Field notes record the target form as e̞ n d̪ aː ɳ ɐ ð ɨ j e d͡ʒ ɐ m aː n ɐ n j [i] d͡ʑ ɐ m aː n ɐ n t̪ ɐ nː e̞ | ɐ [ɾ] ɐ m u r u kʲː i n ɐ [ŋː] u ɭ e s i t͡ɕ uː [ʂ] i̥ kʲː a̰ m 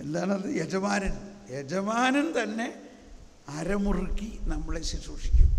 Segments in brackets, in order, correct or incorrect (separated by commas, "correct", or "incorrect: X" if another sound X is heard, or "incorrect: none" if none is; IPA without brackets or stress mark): incorrect: e, correct, incorrect: mː, correct